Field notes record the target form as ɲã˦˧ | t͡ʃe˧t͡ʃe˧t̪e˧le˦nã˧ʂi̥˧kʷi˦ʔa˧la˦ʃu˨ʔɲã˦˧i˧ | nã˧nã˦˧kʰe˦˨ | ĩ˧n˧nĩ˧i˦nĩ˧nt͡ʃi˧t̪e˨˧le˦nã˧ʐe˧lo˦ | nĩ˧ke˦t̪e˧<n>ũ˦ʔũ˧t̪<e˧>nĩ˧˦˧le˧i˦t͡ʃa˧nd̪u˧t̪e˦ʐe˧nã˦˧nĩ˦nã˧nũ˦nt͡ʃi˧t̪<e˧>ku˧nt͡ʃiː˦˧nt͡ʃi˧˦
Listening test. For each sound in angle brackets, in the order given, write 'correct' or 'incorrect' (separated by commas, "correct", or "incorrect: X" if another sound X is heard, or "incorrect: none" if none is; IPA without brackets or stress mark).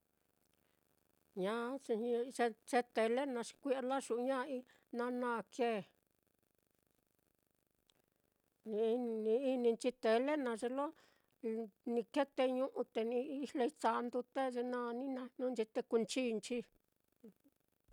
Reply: incorrect: ɲ, correct, correct